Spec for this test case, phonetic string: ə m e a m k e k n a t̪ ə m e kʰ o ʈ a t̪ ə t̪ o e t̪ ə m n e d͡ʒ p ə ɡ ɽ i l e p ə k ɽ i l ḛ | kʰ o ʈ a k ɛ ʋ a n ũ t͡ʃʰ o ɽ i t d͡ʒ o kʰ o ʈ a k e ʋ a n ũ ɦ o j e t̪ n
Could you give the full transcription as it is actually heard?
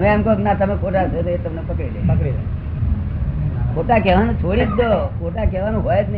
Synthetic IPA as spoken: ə m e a m k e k n a t̪ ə m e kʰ o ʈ a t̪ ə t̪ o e t̪ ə m n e p ə k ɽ i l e p ə k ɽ i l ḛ | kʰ o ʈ a k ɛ ʋ a n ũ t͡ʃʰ o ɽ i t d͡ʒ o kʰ o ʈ a k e ʋ a n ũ ɦ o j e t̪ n